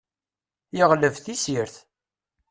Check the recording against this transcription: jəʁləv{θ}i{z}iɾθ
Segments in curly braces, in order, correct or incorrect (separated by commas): correct, incorrect